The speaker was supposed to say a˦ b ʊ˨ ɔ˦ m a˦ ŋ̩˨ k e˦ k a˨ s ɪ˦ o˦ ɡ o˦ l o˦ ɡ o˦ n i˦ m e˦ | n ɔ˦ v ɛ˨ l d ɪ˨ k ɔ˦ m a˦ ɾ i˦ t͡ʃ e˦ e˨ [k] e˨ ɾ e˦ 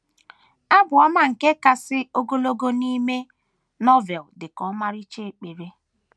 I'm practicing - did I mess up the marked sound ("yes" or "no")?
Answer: yes